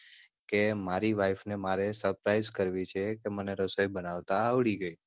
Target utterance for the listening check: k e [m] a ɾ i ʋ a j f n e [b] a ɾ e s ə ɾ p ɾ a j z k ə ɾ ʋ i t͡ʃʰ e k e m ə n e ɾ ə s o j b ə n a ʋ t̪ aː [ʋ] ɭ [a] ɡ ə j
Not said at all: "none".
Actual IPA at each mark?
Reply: m, m, ʋ, i

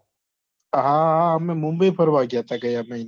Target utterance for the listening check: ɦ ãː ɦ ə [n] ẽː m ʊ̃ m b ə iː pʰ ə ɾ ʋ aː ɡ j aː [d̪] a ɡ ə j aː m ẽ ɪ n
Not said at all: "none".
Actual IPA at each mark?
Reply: m, t̪

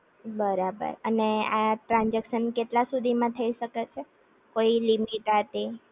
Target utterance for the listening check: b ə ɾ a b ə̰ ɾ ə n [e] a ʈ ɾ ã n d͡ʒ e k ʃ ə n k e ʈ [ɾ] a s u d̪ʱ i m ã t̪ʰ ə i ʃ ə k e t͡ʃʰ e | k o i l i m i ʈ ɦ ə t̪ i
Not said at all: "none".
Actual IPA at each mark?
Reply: e, l

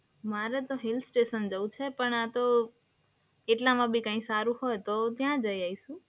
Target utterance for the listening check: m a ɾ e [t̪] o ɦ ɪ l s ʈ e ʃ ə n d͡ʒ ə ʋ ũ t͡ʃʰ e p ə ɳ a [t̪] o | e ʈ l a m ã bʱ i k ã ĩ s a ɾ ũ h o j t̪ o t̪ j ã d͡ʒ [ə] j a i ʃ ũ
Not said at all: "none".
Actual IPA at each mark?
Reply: t̪, t̪, ə

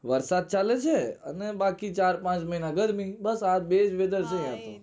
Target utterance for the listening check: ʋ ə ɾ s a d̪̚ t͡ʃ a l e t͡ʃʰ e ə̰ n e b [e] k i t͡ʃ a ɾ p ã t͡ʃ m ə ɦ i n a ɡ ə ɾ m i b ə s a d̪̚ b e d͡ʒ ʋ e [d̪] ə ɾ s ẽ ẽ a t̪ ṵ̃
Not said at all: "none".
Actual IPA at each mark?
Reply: a, d̪

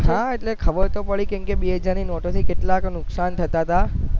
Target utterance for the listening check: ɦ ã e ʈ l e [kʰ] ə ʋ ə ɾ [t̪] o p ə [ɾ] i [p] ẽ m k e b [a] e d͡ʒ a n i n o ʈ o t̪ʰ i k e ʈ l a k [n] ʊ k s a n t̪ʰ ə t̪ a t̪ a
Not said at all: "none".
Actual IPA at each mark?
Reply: kʰ, t̪, ɭ, k, i, n

